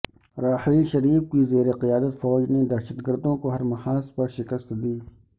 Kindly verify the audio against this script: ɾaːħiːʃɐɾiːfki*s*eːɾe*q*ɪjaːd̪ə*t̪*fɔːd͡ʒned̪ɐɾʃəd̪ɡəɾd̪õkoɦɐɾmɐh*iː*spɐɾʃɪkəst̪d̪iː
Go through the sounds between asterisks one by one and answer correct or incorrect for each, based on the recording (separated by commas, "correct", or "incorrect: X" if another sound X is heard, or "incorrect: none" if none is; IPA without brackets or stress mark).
incorrect: z, correct, correct, incorrect: aː